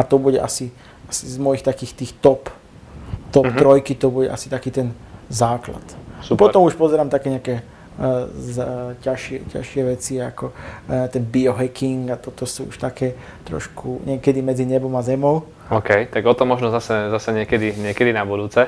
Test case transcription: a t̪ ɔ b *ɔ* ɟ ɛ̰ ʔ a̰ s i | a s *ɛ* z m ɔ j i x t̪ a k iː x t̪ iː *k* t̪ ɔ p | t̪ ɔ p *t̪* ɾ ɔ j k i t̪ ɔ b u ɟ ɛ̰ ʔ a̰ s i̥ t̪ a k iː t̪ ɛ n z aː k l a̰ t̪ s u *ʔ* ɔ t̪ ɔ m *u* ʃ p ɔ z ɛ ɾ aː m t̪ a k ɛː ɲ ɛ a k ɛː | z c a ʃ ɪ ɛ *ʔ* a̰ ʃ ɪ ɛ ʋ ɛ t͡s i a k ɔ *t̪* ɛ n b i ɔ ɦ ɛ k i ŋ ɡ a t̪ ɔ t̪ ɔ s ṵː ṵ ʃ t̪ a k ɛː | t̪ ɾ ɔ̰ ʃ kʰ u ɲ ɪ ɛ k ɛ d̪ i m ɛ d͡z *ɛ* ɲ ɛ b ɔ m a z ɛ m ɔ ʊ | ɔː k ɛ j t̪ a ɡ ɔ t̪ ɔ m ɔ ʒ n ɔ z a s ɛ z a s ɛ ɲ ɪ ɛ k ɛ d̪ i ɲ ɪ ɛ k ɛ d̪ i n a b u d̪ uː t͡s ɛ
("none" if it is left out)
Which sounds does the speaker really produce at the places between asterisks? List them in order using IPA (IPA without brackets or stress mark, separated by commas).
u, i, x, t̪, p, u, c, t̪, i